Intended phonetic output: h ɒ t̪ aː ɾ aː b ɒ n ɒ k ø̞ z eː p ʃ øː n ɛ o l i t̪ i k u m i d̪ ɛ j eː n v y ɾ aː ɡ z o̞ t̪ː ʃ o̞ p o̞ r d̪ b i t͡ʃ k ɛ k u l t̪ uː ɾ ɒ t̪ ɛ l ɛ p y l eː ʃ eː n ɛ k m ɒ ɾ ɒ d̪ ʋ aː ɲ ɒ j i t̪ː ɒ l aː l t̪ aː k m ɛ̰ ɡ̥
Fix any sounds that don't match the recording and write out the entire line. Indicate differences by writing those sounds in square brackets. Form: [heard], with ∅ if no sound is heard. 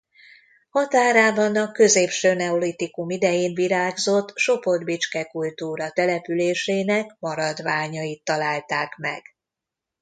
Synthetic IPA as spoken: h ɒ t̪ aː ɾ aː b ɒ n ɒ k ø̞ z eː p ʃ øː n ɛ o l i t̪ i k u m i d̪ ɛ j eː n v [i] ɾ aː ɡ z o̞ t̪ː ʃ o̞ p o̞ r d̪ b i t͡ʃ k ɛ k u l t̪ uː ɾ ɒ t̪ ɛ l ɛ p y l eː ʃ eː n ɛ k m ɒ ɾ ɒ d̪ ʋ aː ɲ ɒ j i t̪ː ɒ l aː l t̪ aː k m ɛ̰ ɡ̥